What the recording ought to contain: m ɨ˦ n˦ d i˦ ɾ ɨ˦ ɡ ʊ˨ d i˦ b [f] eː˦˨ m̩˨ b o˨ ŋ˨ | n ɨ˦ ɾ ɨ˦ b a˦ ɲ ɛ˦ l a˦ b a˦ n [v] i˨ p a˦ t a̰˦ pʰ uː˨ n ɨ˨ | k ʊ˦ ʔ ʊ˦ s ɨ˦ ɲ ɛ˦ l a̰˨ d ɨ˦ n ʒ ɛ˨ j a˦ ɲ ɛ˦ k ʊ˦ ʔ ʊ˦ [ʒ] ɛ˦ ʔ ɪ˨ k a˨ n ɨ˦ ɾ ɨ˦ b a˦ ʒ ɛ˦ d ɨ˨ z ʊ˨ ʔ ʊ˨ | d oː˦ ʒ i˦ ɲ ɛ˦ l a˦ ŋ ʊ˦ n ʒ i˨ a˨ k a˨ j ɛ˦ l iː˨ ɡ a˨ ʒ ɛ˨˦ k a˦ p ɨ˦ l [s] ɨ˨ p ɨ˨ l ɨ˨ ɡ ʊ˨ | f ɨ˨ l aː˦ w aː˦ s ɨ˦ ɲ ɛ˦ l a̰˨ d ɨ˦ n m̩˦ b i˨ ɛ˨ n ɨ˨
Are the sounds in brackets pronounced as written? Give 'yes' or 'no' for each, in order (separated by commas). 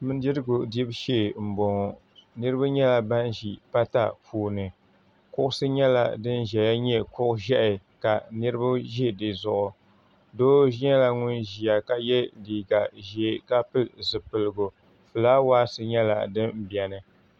no, no, yes, no